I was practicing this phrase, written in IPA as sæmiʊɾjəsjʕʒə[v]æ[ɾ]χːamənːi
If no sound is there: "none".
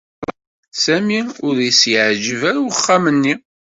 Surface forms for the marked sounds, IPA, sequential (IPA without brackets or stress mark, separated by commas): v, ɾ